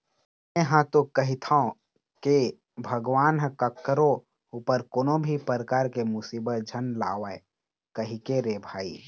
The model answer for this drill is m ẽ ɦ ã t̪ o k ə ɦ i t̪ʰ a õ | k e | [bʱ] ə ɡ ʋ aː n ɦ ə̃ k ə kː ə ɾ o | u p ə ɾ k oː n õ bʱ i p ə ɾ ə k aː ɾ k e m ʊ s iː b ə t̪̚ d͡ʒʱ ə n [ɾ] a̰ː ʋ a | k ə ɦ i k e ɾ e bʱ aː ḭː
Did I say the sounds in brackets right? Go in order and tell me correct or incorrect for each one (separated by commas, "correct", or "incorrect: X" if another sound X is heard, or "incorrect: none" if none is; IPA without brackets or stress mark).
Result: correct, incorrect: l